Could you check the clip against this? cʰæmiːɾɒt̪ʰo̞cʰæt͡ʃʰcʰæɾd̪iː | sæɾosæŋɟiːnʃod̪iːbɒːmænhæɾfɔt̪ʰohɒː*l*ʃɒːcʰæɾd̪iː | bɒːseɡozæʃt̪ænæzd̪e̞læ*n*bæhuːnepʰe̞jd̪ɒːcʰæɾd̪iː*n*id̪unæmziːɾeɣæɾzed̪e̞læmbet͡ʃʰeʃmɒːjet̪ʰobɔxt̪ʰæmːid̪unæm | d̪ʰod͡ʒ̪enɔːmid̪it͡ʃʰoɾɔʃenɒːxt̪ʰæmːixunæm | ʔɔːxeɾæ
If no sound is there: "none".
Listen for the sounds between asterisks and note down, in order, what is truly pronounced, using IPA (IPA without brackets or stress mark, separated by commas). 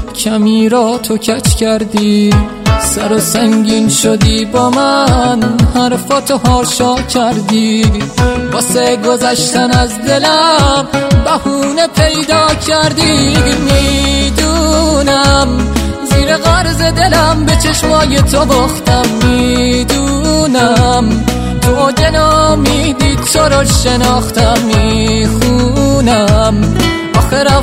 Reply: ɾ, m, m